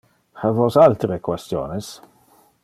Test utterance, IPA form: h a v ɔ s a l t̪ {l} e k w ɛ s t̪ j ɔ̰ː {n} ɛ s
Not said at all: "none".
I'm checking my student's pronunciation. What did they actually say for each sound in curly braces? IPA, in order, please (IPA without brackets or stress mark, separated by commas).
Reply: ɾ, n